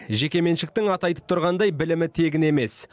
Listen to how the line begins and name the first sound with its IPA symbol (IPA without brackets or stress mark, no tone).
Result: ʒ